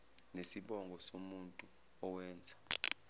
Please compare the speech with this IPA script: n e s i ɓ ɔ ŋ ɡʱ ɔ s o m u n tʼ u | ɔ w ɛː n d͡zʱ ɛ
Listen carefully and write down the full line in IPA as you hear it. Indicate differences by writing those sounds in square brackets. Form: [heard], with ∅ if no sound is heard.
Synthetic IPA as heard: n e s i ɓ ɔ ŋ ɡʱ ɔ s o m u n tʼ u | ɔ w ɛː n d͡zʱ [a]